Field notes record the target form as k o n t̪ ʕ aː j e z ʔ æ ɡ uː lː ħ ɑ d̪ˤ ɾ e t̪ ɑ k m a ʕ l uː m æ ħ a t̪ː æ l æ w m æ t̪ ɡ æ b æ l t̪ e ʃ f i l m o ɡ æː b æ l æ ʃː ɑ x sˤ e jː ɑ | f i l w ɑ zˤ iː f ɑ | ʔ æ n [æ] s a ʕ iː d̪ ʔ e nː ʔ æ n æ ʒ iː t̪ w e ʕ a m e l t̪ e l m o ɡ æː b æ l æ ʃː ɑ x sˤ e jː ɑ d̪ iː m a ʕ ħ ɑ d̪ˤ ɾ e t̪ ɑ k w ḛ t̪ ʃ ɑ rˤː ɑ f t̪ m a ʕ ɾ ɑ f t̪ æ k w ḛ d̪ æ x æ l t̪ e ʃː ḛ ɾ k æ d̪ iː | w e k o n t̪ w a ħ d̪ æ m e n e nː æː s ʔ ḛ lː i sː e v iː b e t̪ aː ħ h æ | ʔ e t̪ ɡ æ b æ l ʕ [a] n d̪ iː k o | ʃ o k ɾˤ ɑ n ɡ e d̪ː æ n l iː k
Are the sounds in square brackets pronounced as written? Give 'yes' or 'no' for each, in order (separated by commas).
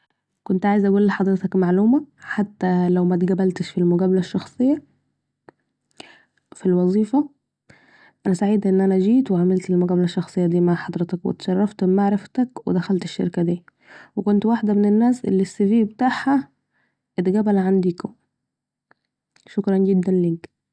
yes, yes